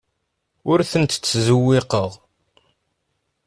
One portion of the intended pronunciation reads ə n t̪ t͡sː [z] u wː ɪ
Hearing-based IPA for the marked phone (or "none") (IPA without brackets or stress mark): z